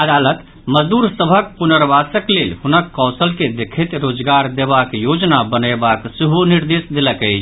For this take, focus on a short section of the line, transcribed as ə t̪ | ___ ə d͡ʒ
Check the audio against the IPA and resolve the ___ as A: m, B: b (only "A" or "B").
A